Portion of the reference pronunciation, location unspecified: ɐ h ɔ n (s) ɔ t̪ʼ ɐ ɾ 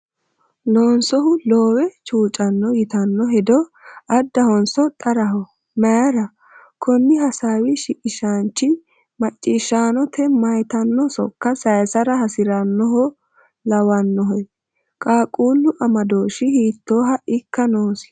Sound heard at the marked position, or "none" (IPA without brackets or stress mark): s